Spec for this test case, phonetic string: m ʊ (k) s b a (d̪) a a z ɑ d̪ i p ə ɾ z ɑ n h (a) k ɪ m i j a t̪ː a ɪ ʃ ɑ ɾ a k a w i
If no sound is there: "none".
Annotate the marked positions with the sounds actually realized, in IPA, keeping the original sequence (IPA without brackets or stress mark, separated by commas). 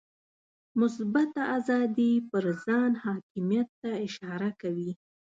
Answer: none, t̪, ɑ